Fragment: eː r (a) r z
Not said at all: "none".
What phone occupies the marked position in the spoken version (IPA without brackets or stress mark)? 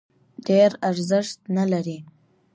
a